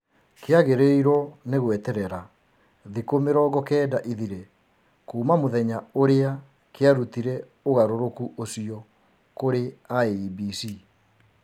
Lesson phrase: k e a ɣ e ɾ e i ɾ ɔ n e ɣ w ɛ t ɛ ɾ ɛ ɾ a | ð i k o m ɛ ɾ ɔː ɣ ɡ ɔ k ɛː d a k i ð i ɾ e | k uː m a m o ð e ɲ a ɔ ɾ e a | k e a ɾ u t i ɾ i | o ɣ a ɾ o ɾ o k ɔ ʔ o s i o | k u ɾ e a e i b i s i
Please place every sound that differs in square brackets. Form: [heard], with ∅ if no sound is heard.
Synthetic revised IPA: k e a ɣ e ɾ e i ɾ ɔ n e ɣ w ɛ t ɛ ɾ ɛ ɾ a | ð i k o m [e] ɾ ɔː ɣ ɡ ɔ k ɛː d a [ʔ] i ð i ɾ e | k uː m a m o ð [ɛ] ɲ a [o] ɾ e a | k e a ɾ u t i ɾ [ɛ] | o ɣ a ɾ o ɾ o k [u] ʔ o s i [ɔ] | k [o] ɾ e a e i b i s i